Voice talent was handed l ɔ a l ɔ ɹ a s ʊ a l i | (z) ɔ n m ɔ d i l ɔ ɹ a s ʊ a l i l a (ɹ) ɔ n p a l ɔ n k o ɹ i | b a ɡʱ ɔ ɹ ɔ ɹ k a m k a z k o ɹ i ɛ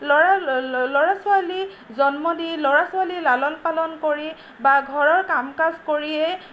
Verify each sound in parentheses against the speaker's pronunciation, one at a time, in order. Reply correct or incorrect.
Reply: correct, incorrect

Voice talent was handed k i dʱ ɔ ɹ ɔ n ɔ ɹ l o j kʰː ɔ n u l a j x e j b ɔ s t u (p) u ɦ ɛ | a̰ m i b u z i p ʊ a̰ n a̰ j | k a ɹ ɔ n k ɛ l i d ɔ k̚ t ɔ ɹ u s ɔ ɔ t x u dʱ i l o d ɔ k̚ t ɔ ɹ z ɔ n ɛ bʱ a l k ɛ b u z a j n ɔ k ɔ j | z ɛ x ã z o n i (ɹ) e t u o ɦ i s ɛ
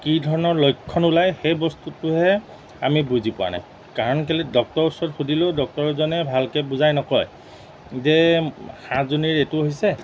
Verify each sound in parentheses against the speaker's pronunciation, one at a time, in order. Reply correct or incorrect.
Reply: incorrect, correct

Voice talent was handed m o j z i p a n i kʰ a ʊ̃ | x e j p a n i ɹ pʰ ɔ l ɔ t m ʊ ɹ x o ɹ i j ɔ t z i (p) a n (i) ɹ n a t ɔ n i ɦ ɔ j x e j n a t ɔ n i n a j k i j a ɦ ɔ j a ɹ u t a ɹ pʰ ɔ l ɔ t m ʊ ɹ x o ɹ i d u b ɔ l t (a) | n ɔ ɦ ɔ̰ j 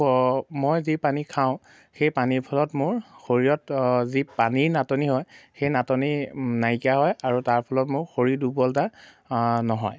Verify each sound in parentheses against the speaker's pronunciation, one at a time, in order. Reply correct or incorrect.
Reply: correct, correct, correct

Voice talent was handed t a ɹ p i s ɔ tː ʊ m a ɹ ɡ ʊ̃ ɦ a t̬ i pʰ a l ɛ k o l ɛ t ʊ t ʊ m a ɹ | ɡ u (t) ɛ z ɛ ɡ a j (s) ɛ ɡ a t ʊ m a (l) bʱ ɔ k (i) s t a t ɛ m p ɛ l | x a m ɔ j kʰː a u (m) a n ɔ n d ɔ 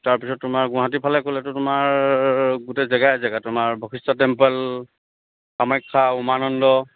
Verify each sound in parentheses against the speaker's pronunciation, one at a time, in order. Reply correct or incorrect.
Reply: correct, incorrect, incorrect, correct, correct

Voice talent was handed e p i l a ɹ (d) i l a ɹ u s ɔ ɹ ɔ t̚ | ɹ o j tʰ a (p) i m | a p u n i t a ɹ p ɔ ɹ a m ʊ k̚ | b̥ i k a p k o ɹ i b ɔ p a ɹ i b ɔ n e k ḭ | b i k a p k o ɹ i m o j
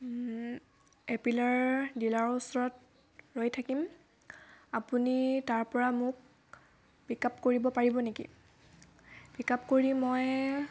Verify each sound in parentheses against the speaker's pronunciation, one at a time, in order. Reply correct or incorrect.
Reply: correct, incorrect

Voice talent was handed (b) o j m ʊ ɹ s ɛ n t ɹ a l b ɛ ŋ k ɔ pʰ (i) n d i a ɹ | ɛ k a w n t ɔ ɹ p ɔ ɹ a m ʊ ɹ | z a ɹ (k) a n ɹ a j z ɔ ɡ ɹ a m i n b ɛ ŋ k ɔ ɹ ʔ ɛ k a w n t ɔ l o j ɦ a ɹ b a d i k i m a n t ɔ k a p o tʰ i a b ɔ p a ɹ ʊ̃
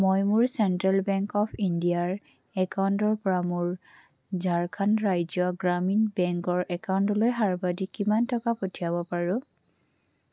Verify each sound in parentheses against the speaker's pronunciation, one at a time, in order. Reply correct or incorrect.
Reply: incorrect, correct, incorrect

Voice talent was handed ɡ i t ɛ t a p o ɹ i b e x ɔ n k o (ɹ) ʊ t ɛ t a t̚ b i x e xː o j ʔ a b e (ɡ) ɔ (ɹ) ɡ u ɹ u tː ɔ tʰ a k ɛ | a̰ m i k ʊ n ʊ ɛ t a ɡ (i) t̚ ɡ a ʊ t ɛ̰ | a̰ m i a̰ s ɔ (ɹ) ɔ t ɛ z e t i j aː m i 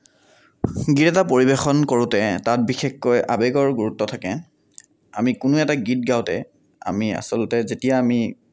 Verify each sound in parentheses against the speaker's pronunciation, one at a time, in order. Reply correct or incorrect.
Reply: correct, correct, correct, correct, incorrect

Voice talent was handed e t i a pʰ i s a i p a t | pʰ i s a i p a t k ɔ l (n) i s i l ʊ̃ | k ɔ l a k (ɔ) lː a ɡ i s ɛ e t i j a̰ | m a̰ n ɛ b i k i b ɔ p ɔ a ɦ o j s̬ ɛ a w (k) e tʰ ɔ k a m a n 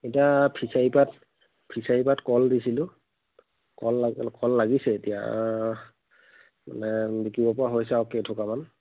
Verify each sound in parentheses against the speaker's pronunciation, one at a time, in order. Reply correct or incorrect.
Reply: incorrect, correct, correct

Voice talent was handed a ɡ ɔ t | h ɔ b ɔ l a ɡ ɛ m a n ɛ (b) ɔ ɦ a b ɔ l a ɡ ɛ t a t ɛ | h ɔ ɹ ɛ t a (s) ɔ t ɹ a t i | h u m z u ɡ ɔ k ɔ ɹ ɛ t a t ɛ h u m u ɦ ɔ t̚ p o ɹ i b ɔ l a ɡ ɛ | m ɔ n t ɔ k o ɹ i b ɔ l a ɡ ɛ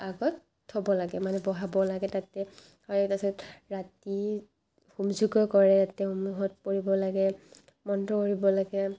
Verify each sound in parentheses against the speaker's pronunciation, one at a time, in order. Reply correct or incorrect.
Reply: correct, correct

